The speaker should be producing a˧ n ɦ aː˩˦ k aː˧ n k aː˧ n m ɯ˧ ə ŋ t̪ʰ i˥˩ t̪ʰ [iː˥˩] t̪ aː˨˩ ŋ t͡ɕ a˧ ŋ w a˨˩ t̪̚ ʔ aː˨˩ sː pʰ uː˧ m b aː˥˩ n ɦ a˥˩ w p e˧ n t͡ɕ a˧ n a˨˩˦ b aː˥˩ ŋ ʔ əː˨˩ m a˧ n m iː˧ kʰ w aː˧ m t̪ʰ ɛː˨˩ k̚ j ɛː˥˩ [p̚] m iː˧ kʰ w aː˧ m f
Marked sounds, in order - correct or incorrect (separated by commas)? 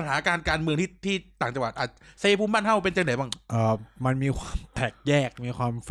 correct, incorrect